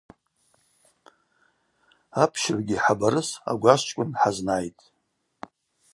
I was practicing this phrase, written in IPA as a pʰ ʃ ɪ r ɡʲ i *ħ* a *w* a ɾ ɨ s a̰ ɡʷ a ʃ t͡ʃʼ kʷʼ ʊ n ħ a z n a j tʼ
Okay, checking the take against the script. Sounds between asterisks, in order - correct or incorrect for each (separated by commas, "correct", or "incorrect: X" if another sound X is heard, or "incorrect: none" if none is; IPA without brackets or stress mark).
correct, incorrect: b